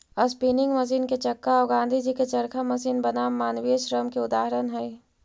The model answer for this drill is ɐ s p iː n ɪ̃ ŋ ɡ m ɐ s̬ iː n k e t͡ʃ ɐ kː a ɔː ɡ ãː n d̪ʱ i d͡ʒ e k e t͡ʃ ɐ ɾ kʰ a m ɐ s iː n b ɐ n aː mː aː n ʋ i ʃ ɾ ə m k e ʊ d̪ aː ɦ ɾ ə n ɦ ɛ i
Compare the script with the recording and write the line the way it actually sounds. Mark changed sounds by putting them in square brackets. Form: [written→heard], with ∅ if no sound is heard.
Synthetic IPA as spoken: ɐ s p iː n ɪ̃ ŋ ɡ m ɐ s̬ iː n k e t͡ʃ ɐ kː a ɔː ɡ ãː n d̪ʱ i d͡ʒ [e→i] k e t͡ʃ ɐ ɾ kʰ a m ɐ s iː n b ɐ n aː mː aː n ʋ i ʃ ɾ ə m k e ʊ d̪ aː ɦ ɾ ə n ɦ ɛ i